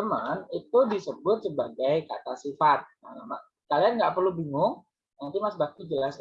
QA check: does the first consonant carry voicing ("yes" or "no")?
yes